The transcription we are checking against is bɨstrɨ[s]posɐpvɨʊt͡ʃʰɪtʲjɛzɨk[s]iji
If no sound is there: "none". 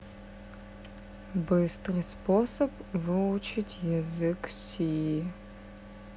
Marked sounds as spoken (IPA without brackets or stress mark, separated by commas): s, s